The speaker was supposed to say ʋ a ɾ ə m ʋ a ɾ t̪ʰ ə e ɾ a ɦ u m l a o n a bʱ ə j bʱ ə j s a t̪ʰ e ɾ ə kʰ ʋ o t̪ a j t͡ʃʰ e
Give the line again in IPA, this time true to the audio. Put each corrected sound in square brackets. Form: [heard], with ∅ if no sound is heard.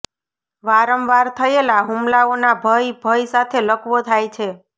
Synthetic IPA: ʋ a ɾ ə m ʋ a ɾ t̪ʰ ə e [l] a ɦ u m l a o n a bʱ ə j bʱ ə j s a t̪ʰ e [l] ə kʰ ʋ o [t̪ʰ] a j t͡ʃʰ e